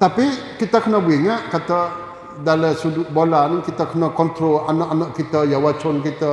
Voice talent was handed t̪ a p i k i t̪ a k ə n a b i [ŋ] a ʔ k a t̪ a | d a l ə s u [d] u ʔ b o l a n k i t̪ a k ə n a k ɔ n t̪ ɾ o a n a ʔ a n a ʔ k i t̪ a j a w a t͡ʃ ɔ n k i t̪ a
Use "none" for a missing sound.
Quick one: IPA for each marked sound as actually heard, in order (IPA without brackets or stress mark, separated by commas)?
ŋ, d